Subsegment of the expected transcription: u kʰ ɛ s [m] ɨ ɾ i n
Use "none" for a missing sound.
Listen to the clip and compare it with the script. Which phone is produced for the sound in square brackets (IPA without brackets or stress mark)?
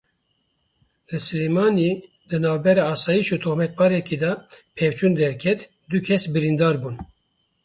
b